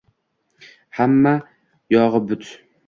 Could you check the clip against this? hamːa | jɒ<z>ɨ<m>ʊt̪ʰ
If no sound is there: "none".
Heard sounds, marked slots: ʁ, b

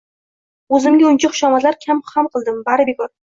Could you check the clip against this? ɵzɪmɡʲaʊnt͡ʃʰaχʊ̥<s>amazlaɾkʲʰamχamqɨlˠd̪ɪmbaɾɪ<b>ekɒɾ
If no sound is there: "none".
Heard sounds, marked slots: ʃ, b

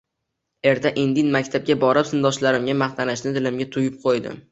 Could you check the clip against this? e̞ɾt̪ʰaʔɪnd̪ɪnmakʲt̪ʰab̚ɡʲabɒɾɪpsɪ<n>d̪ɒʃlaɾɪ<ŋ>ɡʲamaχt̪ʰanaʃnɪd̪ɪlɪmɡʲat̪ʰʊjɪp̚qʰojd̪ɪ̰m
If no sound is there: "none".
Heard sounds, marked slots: n, m

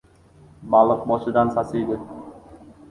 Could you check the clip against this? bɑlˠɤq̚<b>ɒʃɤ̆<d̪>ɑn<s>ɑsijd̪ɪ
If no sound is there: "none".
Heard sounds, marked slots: b, d̪, s

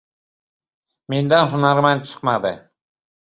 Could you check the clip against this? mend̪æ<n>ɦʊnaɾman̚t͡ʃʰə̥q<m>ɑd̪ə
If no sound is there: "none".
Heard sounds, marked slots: n, m

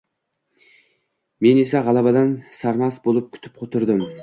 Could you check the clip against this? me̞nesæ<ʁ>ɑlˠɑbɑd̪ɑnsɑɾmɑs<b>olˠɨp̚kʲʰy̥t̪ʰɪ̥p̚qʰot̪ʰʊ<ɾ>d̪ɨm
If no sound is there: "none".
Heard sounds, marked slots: ʁ, b, ɾ

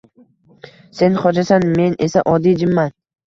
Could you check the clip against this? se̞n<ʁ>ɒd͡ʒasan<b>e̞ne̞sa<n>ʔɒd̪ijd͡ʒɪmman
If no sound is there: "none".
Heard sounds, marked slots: χ, m, none

